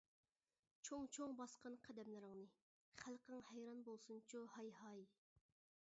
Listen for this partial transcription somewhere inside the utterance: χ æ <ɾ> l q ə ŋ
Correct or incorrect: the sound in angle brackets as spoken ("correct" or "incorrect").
incorrect